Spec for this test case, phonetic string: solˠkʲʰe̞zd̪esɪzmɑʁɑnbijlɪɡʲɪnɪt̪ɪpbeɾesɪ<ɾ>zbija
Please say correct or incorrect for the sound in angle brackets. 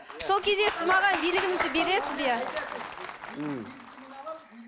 incorrect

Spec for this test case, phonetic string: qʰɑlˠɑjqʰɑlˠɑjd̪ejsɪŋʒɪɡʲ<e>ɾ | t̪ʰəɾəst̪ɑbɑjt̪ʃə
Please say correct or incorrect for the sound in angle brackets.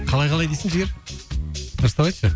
correct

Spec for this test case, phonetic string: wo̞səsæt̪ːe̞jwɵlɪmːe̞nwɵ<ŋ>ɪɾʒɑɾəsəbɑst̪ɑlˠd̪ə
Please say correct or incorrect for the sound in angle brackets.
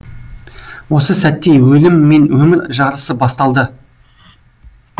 incorrect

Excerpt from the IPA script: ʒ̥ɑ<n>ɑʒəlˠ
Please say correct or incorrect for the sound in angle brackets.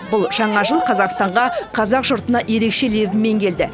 incorrect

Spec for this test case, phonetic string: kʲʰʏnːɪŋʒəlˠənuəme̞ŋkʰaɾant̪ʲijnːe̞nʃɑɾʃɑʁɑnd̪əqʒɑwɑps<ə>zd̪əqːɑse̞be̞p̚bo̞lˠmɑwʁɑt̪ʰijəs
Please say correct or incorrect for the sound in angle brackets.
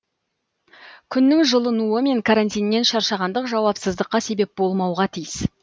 correct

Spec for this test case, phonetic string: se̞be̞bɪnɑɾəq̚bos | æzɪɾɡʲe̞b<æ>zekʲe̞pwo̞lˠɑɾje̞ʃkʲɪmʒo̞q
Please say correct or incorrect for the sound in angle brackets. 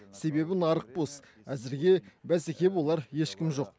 correct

